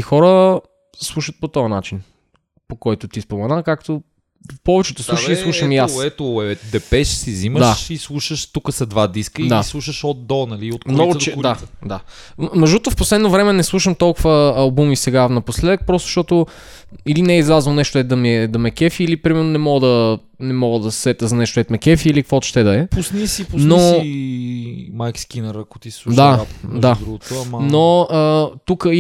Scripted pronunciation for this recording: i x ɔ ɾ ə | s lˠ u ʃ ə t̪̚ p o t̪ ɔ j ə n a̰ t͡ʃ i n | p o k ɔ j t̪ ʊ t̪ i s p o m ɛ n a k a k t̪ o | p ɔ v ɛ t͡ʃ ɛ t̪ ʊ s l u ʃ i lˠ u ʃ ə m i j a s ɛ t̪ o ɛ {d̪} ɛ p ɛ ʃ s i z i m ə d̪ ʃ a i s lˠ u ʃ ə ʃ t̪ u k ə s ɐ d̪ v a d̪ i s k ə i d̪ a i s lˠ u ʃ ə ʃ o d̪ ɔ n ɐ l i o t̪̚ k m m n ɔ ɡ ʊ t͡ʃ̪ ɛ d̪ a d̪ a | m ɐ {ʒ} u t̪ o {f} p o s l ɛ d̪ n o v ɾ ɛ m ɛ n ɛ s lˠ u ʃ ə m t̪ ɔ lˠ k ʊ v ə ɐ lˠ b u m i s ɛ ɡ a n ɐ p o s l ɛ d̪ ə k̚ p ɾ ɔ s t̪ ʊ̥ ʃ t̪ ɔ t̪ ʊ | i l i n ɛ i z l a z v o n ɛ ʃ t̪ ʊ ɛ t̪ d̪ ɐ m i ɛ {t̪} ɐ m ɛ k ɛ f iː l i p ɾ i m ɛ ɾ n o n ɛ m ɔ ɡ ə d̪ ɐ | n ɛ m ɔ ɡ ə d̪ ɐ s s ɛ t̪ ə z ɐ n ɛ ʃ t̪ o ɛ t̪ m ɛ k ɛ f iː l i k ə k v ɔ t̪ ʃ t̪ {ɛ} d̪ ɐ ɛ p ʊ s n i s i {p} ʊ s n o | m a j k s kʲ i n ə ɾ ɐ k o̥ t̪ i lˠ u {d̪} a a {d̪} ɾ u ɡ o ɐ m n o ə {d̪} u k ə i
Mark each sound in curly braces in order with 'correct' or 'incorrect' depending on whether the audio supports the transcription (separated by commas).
correct, correct, correct, incorrect, correct, correct, correct, correct, incorrect